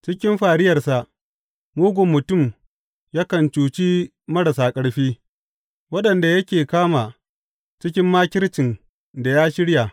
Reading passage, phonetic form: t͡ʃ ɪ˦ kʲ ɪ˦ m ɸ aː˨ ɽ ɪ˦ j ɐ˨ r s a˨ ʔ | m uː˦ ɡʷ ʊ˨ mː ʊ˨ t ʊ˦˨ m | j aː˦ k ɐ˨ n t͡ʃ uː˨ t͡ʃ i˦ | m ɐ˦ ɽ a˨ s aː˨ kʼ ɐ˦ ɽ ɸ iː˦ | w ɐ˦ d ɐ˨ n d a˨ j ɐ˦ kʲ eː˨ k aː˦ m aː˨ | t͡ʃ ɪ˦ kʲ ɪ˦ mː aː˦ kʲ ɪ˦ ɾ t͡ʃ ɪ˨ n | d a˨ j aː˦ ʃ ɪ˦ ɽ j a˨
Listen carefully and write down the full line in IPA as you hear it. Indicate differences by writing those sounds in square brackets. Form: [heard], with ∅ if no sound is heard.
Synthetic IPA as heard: t͡ʃ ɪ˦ kʲ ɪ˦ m ɸ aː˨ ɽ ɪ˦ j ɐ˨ r s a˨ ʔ | m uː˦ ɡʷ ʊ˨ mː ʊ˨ t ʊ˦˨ m | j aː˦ k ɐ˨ n t͡ʃ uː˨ t͡ʃ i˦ | m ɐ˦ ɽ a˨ s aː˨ kʼ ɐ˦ ɽ ɸ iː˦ | w ɐ˦ [ɗ] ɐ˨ n d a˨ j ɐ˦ kʲ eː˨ k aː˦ m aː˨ | t͡ʃ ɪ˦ kʲ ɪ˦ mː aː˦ kʲ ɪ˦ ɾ t͡ʃ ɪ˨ n | d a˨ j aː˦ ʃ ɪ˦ ɽ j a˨